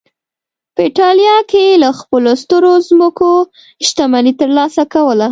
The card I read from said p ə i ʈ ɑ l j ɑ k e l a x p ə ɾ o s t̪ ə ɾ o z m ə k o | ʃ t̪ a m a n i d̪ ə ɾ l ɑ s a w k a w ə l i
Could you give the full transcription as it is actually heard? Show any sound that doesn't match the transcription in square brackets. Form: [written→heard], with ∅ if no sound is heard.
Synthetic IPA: p ə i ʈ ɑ l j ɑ k e l a x p ə [ɾ→l] o s t̪ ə ɾ o z m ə k o | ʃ t̪ a m a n i [d̪→t̪] ə ɾ l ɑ s a [w→∅] k a w ə l [i→a]